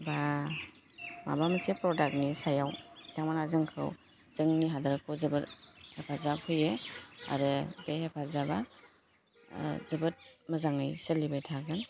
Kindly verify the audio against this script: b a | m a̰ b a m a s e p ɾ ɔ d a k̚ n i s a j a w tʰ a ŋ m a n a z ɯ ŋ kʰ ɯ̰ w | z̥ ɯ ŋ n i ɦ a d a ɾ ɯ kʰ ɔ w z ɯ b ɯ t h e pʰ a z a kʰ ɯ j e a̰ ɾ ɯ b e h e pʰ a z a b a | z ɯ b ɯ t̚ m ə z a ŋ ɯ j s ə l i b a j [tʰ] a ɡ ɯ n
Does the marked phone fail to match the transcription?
no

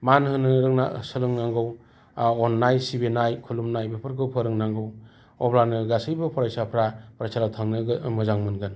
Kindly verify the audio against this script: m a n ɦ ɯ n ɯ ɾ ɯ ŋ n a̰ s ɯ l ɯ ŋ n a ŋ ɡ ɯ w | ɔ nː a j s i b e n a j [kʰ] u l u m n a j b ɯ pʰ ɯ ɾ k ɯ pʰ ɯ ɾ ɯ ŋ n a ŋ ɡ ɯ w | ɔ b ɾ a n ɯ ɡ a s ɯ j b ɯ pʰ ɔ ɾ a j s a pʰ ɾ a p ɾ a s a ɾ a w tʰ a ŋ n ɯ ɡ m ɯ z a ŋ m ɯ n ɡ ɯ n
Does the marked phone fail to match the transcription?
no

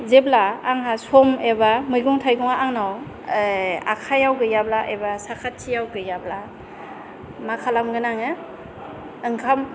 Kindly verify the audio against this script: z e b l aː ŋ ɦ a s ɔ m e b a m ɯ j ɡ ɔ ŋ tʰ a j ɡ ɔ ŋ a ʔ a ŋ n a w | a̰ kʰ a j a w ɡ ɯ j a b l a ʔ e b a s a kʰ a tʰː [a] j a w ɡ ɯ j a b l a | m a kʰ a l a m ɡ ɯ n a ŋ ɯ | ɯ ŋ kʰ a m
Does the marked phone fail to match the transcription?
yes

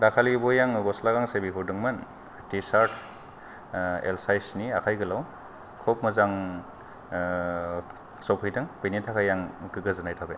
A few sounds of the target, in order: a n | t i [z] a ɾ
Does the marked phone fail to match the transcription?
yes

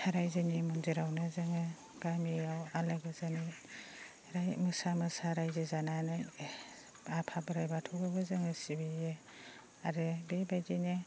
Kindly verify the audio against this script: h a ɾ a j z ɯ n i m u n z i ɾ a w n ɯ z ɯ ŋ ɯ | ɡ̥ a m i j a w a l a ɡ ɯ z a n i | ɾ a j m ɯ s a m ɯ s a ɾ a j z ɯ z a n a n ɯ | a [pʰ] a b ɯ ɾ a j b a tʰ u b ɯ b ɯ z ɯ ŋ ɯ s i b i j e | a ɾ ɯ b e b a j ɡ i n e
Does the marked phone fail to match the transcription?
no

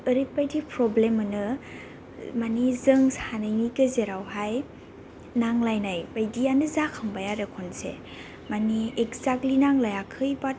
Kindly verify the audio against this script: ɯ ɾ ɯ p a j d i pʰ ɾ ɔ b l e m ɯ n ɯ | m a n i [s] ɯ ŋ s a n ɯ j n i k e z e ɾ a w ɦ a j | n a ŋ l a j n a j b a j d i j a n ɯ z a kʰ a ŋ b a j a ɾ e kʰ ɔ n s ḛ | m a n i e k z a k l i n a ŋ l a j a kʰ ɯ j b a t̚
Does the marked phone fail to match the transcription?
yes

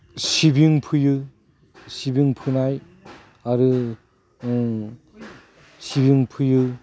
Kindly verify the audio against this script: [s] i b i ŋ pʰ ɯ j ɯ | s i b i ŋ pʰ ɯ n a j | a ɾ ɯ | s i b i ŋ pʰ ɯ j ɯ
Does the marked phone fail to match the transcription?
no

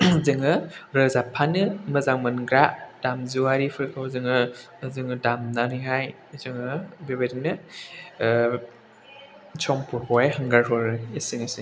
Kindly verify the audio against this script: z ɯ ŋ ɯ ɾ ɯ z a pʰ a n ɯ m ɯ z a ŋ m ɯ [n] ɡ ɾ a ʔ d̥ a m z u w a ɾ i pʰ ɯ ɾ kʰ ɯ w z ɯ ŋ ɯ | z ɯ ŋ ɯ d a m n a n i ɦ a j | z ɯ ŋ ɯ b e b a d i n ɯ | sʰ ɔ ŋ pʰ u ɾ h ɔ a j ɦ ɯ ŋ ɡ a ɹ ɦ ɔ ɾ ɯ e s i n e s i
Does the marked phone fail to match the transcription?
no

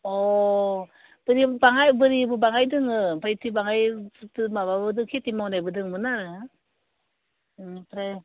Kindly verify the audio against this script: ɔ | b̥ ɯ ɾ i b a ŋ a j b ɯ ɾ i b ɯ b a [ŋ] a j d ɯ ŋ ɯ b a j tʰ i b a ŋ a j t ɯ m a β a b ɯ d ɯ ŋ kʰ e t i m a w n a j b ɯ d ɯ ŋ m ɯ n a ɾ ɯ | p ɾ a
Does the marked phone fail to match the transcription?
no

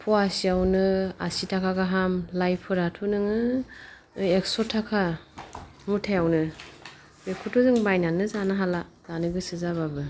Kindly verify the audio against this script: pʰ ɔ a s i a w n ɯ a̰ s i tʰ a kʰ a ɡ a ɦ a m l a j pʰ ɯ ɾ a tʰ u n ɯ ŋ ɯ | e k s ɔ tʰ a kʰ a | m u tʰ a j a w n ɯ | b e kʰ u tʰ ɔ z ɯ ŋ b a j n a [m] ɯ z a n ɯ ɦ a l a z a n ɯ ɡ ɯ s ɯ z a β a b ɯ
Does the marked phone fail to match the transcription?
yes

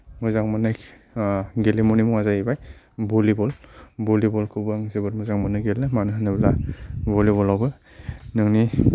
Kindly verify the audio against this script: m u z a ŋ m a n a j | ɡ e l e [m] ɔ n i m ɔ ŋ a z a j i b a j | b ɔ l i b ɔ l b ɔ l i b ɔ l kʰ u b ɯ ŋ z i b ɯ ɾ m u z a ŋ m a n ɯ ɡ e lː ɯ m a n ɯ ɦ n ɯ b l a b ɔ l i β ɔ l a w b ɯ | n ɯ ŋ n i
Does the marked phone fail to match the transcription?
no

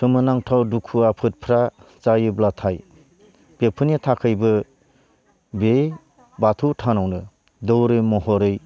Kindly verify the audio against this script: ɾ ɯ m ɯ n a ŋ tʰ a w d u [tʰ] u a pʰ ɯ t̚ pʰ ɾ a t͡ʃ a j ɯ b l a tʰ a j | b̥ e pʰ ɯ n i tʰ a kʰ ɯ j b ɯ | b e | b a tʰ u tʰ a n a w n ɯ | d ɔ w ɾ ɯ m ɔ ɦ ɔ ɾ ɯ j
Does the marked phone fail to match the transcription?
yes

